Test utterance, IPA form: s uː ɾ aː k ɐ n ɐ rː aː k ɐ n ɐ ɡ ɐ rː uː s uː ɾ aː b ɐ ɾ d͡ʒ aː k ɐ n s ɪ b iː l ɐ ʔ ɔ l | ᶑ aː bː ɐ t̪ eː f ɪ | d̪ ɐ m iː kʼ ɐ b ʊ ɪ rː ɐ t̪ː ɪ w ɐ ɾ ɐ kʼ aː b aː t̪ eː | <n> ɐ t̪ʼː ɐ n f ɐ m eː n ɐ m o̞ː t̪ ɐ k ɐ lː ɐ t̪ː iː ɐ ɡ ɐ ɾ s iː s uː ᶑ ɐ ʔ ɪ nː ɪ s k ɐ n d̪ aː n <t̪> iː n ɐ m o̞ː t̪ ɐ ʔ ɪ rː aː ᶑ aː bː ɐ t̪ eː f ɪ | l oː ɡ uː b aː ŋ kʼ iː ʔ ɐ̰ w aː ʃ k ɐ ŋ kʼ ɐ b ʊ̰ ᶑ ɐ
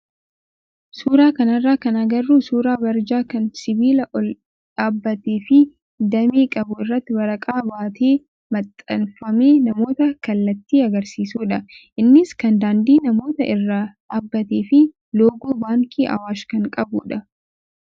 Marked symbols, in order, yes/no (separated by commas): no, no